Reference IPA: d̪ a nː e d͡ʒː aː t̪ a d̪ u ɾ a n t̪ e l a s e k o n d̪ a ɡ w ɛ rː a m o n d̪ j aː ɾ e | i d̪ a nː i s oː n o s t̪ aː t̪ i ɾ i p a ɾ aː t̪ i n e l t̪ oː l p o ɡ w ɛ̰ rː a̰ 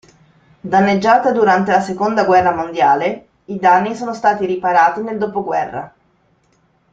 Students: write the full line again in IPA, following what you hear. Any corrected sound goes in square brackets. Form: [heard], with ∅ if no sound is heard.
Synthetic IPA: d̪ a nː e d͡ʒː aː t̪ a d̪ u ɾ a n t̪ e l a s e k o n d̪ a ɡ w ɛ rː a m o n d̪ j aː [l] e | i d̪ a nː i s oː n o s t̪ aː t̪ i ɾ i p a ɾ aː t̪ i n e l [d̪] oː [∅] p o ɡ w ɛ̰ rː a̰